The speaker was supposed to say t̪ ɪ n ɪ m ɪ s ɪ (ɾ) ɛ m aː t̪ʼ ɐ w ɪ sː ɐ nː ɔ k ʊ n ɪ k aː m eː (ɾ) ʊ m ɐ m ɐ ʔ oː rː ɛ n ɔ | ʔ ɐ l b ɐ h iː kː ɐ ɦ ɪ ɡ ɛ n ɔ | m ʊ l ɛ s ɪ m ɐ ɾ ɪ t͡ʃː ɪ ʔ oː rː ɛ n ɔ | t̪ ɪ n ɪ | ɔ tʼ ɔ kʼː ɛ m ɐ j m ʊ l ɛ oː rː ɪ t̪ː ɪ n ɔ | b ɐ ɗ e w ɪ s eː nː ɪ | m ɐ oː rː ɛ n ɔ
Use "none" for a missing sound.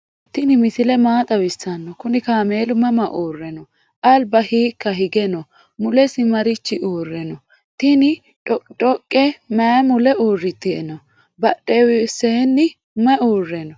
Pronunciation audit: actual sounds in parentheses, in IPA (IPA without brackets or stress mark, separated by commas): l, l